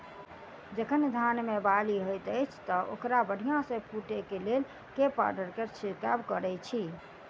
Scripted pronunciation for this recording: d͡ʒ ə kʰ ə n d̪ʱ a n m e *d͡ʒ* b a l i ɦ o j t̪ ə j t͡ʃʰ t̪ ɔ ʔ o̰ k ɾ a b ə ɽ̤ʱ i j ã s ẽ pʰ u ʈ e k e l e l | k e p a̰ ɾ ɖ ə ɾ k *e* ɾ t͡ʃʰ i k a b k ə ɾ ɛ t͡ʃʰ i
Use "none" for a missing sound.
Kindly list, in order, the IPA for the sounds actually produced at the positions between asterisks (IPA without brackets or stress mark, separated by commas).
none, e